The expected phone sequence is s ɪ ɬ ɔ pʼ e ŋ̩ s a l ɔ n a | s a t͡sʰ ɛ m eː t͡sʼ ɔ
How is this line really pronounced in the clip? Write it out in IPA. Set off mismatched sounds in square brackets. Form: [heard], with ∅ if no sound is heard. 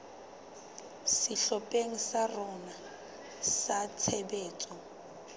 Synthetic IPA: s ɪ ɬ ɔ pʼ e ŋ̩ s a [r] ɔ n a | s a t͡sʰ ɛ [b] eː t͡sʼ ɔ